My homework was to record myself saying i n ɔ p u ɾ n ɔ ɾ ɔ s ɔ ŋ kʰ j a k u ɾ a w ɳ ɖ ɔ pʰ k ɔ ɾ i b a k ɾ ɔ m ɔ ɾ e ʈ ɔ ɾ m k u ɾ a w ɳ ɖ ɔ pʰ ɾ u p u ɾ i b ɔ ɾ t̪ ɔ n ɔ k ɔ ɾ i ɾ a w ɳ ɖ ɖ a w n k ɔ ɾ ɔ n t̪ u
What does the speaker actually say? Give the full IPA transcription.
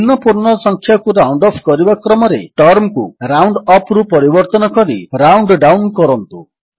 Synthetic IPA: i n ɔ p u ɾ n ɔ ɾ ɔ s ɔ ŋ kʰ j a k u ɾ a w ɳ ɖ ɔ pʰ k ɔ ɾ i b a k ɾ ɔ m ɔ ɾ e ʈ ɔ ɾ m k u ɾ a w ɳ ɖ ɔ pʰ ɾ u p ɔ ɾ i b ɔ ɾ t̪ ɔ n ɔ k ɔ ɾ i ɾ a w ɳ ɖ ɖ a w n k ɔ ɾ ɔ n t̪ u